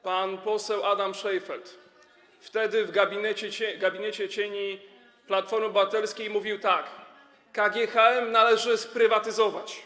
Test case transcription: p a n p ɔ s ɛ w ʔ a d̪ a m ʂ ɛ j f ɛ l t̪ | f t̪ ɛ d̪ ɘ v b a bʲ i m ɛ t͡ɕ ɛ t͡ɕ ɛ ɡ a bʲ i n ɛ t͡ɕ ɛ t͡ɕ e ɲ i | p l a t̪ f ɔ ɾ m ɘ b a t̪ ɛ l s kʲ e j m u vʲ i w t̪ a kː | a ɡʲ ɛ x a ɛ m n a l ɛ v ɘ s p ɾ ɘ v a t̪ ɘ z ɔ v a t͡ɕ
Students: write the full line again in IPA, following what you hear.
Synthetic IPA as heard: p a n p ɔ s ɛ w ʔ a d̪ a m ʂ ɛ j f ɛ l t̪ | f t̪ ɛ d̪ ɘ v ɡ a bʲ i n ɛ t͡ɕ ɛ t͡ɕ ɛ ɡ a bʲ i n ɛ t͡ɕ ɛ t͡ɕ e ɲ i | p l a t̪ f ɔ ɾ m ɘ b a t̪ ɛ l s kʲ e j m u vʲ i w t̪ a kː | a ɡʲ ɛ x a ɛ m n a l ɛ ʐ ɘ s p ɾ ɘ v a t̪ ɘ z ɔ v a t͡ɕ